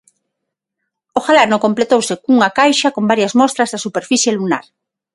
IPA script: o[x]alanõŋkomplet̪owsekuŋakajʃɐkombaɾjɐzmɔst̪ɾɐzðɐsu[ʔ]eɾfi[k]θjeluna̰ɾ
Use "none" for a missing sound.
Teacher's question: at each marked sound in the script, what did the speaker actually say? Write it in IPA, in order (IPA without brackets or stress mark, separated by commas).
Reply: x, p, none